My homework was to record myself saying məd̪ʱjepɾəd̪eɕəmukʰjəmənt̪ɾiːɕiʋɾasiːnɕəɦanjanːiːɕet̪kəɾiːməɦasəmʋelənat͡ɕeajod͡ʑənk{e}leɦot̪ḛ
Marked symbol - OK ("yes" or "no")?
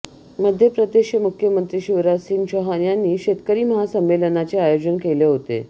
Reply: yes